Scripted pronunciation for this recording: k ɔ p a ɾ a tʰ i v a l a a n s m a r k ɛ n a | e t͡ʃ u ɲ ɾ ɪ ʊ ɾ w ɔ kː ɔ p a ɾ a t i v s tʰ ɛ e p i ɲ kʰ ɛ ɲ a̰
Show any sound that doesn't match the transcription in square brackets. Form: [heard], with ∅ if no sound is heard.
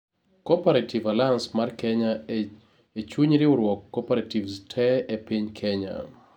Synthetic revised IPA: k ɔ p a ɾ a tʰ i v a l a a n s m a r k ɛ [ɲ] a | e t͡ʃ u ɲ ɾ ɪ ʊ ɾ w ɔ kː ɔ p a ɾ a t i v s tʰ ɛ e p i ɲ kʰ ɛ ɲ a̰